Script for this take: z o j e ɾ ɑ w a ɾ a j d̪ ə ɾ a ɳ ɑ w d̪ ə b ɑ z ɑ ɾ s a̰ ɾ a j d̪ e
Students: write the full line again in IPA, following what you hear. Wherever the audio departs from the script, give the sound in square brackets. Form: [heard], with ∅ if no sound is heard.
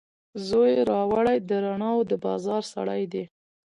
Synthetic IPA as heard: z o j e ɾ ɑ w a [ɽ] a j d̪ ə ɾ a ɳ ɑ w d̪ ə b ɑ z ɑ ɾ s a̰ [ɽ] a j d̪ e